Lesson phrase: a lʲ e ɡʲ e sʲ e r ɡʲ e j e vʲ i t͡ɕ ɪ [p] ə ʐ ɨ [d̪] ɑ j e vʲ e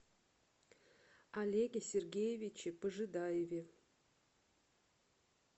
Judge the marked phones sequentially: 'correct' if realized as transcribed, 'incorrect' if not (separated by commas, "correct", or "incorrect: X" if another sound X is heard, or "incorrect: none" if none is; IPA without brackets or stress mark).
correct, correct